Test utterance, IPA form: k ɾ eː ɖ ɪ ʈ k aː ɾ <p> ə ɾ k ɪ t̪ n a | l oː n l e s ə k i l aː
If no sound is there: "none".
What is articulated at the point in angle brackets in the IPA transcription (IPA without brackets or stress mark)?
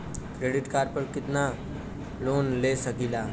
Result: p